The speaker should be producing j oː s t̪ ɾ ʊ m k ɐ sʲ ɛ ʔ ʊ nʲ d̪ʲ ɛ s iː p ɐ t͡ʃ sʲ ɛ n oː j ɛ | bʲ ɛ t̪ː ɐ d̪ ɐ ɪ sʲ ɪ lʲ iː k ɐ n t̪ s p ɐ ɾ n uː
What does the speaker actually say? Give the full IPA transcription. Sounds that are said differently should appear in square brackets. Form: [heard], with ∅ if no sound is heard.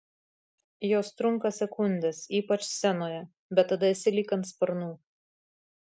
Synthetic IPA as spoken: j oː s t̪ ɾ ʊ [ŋ] k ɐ sʲ ɛ [k] ʊ nʲ d̪ʲ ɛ s iː p ɐ t͡ʃ sʲ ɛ n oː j ɛ | bʲ ɛ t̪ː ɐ d̪ ɐ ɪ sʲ ɪ lʲ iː k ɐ n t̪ s p ɐ ɾ n uː